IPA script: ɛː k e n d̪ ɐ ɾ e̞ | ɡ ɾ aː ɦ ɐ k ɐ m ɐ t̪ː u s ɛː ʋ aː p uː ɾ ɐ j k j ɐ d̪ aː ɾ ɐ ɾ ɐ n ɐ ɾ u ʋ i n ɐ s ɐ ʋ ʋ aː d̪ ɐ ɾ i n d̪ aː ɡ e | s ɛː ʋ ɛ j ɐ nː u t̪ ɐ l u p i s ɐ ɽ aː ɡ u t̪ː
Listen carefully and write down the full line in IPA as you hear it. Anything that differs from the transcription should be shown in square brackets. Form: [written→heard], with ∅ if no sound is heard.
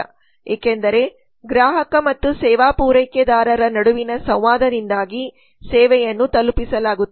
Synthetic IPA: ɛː k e n d̪ ɐ ɾ e̞ | ɡ ɾ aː ɦ ɐ k ɐ m ɐ t̪ː u s ɛː ʋ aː p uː ɾ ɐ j k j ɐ d̪ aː ɾ ɐ ɾ ɐ n ɐ [ɾ→ɽ] u ʋ i n ɐ s ɐ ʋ ʋ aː d̪ ɐ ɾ i n d̪ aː ɡ [e→i] | s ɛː ʋ ɛ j ɐ nː u t̪ ɐ l u p i s ɐ [ɽ→l] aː ɡ u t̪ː

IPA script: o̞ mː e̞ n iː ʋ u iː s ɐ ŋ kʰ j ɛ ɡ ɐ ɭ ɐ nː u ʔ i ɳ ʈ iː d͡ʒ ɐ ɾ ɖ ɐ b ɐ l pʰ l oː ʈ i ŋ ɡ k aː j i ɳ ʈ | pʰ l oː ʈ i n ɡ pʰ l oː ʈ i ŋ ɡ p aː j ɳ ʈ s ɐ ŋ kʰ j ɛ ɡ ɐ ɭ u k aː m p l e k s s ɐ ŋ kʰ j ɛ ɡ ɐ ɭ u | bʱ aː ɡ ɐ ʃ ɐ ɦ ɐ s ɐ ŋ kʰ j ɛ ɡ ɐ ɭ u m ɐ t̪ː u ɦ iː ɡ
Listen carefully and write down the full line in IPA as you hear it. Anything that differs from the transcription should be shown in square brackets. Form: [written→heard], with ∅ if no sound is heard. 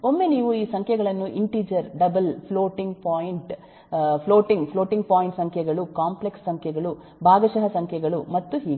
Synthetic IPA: o̞ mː e̞ n iː ʋ u iː s ɐ ŋ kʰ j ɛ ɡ ɐ ɭ ɐ nː u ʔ i ɳ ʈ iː d͡ʒ ɐ ɾ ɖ ɐ b ɐ l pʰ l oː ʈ i ŋ ɡ [k→p] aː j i ɳ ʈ | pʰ l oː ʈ i [n→ŋ] ɡ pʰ l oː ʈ i ŋ ɡ p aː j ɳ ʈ s ɐ ŋ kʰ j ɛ ɡ ɐ ɭ u k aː m p l e k s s ɐ ŋ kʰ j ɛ ɡ ɐ ɭ u | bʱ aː ɡ ɐ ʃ ɐ ɦ ɐ s ɐ ŋ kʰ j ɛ ɡ ɐ ɭ u m ɐ t̪ː u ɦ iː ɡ

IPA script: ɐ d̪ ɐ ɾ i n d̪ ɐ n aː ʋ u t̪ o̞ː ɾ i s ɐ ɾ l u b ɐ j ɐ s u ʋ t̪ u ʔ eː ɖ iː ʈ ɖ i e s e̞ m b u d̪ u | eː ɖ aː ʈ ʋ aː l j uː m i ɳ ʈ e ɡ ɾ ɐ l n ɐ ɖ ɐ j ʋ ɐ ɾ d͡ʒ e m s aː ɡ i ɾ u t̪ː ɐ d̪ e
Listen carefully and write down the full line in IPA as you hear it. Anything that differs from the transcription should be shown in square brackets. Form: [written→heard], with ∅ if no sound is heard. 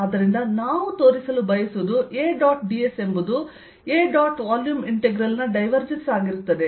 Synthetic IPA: ɐ d̪ ɐ ɾ i n d̪ ɐ n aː ʋ u t̪ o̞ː ɾ i s ɐ [ɾ→∅] l u b ɐ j ɐ s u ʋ [t̪→d̪] u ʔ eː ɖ [iː→aː] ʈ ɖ i e s e̞ m b u d̪ u | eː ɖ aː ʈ ʋ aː l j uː m i ɳ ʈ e ɡ ɾ ɐ l n ɐ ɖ ɐ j ʋ ɐ ɾ d͡ʒ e [m→n] s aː ɡ i ɾ u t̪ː ɐ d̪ e

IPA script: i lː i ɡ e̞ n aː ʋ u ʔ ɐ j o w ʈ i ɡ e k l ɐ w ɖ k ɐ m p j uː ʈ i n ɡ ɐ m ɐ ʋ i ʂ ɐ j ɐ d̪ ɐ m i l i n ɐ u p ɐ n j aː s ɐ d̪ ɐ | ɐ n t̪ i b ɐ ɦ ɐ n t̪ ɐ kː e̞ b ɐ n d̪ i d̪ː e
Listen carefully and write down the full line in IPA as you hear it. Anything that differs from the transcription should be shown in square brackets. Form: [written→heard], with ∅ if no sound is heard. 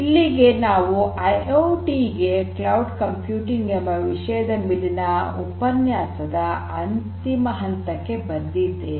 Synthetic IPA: i lː i ɡ e̞ n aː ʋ u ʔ ɐ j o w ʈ i ɡ e k l ɐ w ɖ k ɐ m p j uː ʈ i [n→ŋ] ɡ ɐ m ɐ ʋ i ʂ ɐ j ɐ d̪ ɐ m i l i n ɐ u p ɐ n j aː s ɐ d̪ ɐ | ɐ n t̪ i [b→m] ɐ ɦ ɐ n t̪ ɐ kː e̞ b ɐ n d̪ i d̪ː e

